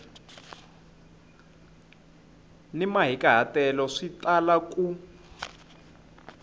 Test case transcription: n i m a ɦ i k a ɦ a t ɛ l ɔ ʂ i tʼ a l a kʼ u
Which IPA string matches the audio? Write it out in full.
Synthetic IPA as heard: n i m a ɦ i k a ɦ a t ɛ l ɔ ʂ i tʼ a l a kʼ u